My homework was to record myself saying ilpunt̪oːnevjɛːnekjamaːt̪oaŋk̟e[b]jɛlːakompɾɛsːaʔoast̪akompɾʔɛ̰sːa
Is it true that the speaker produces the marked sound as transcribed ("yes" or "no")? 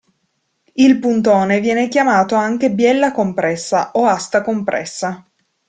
yes